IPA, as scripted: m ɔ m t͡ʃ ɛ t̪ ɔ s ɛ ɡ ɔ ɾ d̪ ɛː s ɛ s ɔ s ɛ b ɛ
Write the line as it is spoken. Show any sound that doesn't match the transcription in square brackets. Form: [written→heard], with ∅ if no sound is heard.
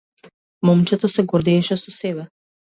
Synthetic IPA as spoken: m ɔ m t͡ʃ ɛ t̪ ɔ s ɛ ɡ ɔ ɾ d̪ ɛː [s→ʃ] ɛ s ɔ s ɛ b ɛ

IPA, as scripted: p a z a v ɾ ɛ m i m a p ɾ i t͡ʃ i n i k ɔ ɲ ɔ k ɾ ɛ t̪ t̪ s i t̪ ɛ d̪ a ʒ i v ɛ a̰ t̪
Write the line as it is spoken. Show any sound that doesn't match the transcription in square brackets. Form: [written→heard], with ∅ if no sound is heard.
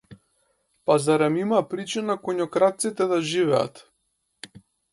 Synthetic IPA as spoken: p a z a [v→∅] ɾ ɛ m i m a p ɾ i t͡ʃ i n [i→a] k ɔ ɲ ɔ k ɾ [ɛ→a] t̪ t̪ s i t̪ ɛ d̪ a ʒ i v ɛ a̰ t̪

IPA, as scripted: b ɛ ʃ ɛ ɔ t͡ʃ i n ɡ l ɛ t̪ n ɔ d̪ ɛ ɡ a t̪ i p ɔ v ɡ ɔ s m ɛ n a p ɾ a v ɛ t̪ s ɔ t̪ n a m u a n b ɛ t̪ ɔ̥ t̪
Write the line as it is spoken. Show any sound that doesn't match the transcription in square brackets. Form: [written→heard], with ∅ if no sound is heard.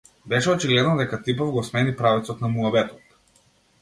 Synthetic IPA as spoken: b ɛ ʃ ɛ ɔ t͡ʃ i [n→∅] ɡ l ɛ [t̪→d̪] n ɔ d̪ ɛ [ɡ→k] a t̪ i p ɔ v ɡ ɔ s m ɛ n [a→i] p ɾ a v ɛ t̪ s ɔ t̪ n a m u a [n→∅] b ɛ t̪ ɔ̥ t̪

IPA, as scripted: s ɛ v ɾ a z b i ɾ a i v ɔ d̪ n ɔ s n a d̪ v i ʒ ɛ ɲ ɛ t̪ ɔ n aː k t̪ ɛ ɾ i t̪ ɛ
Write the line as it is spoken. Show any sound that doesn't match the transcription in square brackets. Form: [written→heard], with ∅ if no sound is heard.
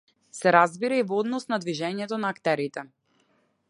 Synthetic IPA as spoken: s ɛ [v→∅] ɾ a z b i ɾ a i v ɔ d̪ n ɔ s n a d̪ v i ʒ ɛ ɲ ɛ t̪ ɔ n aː k t̪ ɛ ɾ i t̪ ɛ

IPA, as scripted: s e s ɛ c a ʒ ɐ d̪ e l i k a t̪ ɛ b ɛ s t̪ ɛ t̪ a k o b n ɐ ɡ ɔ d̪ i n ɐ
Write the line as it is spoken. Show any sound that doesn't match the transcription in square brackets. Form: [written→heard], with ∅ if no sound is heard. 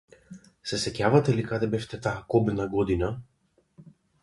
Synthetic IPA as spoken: s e s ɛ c a [ʒ→v] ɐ [d̪→t̪] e l i k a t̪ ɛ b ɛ [s→f] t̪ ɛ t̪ a k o b n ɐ ɡ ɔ d̪ i n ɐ

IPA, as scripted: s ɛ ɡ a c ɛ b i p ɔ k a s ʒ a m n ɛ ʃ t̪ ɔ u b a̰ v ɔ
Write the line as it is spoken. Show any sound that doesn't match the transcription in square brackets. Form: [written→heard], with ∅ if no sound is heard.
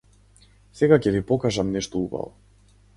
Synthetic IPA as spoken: s ɛ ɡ a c ɛ [b→v] i p ɔ k a [s→∅] ʒ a m n ɛ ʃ t̪ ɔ u b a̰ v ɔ

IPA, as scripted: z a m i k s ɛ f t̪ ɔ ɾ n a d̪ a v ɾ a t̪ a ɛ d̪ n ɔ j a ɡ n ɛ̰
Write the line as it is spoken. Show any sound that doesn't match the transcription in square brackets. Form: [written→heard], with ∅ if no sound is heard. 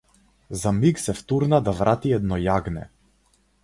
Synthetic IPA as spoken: z a m i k s ɛ f t̪ [ɔ→u] ɾ n a d̪ a v ɾ a t̪ [a→i] ɛ d̪ n ɔ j a ɡ n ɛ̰

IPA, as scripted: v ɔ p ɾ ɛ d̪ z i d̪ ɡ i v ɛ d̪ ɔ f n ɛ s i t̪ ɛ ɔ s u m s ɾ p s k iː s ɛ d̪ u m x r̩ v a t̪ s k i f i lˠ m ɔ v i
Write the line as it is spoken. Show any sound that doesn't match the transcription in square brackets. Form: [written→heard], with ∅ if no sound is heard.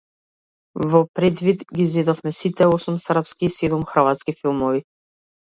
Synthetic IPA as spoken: v ɔ p ɾ ɛ d̪ [z→v] i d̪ ɡ i [v→z] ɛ d̪ ɔ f [n→m] ɛ s i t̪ ɛ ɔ s u m s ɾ p s k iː s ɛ d̪ u m x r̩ v a t̪ s k i f i lˠ m ɔ v i

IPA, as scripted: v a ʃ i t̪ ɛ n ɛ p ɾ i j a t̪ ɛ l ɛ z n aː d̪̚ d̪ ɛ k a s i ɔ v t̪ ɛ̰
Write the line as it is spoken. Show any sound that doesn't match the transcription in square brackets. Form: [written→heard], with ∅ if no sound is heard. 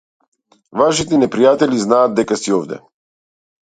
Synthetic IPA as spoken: v a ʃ i t̪ ɛ n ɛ p ɾ i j a t̪ ɛ l [ɛ→i] z n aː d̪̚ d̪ ɛ k a s i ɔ v [t̪→d̪] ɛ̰

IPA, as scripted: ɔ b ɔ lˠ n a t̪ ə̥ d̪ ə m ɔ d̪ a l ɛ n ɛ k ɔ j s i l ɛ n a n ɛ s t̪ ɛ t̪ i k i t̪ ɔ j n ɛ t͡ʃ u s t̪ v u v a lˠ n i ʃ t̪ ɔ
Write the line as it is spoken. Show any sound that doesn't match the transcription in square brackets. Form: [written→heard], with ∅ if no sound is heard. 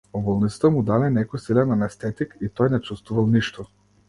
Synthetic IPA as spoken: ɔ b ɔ lˠ n [a→i] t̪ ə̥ [d̪→t̪] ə m [ɔ→u] d̪ a l ɛ n ɛ k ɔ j s i l ɛ n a n ɛ s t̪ ɛ t̪ i k i t̪ ɔ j n ɛ t͡ʃ u s t̪ v u v a lˠ n i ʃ t̪ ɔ

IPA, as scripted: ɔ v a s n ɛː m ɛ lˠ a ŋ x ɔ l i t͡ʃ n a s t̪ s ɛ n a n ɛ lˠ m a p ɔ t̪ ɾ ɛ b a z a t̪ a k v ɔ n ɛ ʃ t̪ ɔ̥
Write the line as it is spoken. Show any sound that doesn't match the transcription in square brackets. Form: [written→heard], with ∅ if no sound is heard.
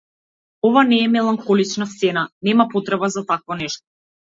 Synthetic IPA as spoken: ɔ v a [s→∅] n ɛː m ɛ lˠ a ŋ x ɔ l i t͡ʃ n a s t̪ s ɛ n a n ɛ [lˠ→∅] m a p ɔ t̪ ɾ ɛ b a z a t̪ a k v ɔ n ɛ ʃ t̪ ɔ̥

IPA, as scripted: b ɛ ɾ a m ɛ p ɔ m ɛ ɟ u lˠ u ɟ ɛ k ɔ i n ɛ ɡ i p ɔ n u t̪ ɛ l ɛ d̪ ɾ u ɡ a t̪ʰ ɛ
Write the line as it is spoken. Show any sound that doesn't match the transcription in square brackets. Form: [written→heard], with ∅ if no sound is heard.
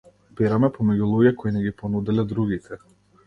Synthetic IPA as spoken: b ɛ ɾ a m ɛ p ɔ m ɛ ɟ u lˠ u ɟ ɛ k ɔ i n ɛ ɡ i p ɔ n u [t̪→d̪] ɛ l ɛ d̪ ɾ u ɡ [a→i] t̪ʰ ɛ

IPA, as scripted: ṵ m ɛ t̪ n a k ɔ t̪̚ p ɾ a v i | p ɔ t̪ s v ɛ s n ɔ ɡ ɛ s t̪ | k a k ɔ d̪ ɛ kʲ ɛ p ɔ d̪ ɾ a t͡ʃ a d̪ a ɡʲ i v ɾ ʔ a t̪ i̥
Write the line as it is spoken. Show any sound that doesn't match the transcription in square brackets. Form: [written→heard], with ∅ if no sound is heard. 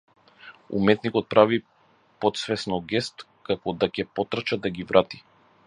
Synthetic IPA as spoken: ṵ m ɛ t̪ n [a→i] k ɔ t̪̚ p ɾ a v i | p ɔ t̪ s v ɛ s n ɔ ɡ ɛ s t̪ | k a k ɔ d̪ [ɛ→a] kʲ ɛ p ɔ [d̪→t̪] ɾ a t͡ʃ a d̪ a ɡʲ i v ɾ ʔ a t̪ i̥

